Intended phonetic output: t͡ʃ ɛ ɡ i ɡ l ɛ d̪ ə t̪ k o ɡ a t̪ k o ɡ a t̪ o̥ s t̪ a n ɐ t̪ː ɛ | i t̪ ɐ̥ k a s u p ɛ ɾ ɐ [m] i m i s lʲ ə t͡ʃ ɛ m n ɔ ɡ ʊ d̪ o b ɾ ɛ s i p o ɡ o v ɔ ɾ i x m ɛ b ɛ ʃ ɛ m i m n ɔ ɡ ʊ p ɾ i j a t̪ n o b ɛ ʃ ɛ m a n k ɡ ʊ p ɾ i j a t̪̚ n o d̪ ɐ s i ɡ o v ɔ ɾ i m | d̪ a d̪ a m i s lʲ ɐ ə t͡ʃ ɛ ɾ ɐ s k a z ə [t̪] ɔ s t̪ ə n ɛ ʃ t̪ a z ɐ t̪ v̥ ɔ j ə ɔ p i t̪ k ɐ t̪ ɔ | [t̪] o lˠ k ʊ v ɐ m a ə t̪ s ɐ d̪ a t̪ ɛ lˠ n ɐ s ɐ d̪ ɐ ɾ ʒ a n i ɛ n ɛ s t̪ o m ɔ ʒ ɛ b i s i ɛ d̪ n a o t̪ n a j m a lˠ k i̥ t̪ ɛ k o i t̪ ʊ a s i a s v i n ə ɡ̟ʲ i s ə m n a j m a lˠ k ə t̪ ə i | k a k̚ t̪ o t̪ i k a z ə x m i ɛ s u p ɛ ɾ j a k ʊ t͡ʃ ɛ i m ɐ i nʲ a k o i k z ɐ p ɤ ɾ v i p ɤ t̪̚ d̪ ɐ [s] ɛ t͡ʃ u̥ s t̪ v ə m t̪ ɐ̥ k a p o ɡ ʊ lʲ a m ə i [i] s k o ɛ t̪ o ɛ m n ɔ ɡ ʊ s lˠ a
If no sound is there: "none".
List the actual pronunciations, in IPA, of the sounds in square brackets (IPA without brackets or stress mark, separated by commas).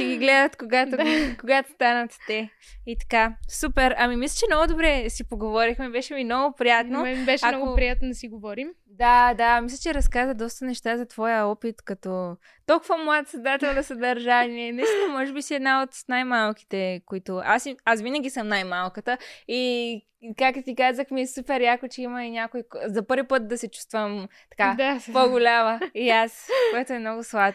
m, d̪, t̪, s, a